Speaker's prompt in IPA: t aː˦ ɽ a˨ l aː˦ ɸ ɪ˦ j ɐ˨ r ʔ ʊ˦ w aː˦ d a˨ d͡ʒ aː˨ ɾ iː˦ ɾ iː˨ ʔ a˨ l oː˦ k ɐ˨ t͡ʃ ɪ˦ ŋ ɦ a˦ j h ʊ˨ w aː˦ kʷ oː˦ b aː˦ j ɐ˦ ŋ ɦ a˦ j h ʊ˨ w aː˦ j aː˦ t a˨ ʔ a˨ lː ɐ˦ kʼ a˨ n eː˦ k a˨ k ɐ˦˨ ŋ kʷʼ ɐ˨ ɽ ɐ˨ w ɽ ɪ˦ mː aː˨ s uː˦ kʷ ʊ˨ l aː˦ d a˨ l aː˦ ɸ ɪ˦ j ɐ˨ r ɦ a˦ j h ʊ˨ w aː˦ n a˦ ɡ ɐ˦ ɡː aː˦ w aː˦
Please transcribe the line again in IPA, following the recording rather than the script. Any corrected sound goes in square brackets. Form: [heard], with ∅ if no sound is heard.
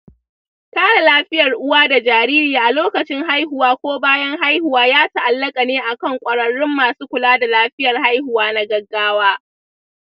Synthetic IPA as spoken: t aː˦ ɽ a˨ l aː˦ ɸ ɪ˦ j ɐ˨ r ʔ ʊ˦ w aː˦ d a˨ d͡ʒ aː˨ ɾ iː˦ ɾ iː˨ ʔ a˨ l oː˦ k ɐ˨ t͡ʃ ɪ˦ ŋ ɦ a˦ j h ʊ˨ w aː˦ kʷ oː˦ b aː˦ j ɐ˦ ŋ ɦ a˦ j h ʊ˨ w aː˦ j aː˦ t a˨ ʔ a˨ lː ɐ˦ kʼ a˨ n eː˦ [ʔ] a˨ k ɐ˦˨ ŋ kʷʼ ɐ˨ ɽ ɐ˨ [∅] ɽ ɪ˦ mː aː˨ s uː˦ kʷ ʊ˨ l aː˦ d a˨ l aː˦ ɸ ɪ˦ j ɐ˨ r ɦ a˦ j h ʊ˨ w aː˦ n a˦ ɡ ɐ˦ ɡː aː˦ w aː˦